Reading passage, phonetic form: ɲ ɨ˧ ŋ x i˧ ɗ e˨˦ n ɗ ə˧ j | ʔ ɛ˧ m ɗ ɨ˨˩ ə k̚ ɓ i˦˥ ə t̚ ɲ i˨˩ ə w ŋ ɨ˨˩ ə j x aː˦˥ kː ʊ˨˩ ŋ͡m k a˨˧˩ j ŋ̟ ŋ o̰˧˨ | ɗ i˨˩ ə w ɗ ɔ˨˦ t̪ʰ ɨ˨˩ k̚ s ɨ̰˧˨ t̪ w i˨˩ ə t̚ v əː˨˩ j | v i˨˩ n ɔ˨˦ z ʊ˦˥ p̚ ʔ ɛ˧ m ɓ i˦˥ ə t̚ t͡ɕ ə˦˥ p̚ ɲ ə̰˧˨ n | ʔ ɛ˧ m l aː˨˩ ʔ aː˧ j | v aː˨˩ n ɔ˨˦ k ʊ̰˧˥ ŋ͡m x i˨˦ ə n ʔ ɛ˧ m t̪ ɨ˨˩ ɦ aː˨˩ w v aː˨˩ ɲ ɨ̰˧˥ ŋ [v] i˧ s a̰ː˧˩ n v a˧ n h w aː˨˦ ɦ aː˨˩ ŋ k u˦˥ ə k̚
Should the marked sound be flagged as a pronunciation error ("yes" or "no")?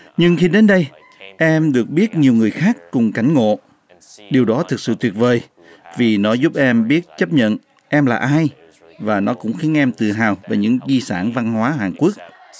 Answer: yes